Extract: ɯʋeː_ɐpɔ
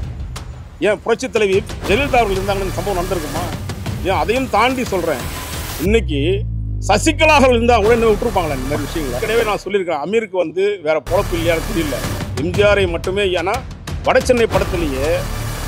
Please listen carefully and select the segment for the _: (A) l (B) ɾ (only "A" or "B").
B